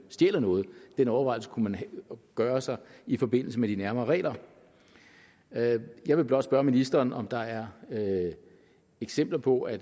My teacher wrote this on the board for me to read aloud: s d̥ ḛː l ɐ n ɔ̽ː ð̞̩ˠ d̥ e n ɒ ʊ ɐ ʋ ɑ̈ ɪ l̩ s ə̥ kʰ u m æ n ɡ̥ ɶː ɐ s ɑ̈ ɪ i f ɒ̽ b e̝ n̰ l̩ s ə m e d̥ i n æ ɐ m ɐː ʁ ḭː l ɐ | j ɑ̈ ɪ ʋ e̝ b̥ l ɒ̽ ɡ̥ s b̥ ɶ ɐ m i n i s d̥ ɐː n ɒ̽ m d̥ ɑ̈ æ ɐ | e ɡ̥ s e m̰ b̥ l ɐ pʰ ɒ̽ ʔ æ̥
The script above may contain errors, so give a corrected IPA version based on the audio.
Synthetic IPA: s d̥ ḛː l ɐ n ɔ̽ː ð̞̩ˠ d̥ e n ɒ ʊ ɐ ʋ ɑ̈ ɪ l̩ s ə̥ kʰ u m æ n ɡ̥ ɶː ɐ s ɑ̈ ɪ i f ɒ̽ b e̝ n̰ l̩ s ə m e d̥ i n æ ɐ m ɐː ʁ ɛ̰ː l ɐ | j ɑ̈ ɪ ʋ e̝ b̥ l ɒ̽ d̥ s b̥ ɶ ɐ m i n i s d̥ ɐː n ɒ̽ m d̥ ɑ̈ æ ɐ | e ɡ̥ s e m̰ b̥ l ɐ pʰ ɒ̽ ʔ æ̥